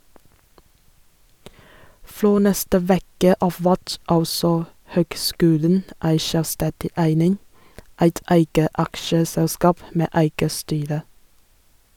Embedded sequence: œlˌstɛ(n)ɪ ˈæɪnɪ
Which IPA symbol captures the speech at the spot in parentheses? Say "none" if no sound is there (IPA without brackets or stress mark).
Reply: d